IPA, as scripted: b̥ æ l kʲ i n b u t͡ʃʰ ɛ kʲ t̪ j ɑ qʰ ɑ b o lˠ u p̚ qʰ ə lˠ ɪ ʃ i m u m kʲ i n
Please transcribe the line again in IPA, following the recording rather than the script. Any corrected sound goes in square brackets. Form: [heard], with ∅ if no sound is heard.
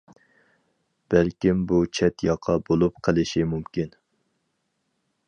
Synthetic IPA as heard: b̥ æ l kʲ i [m] b u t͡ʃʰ ɛ [∅] t̪ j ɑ qʰ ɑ b o lˠ u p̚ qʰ ə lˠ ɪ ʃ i m u m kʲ i n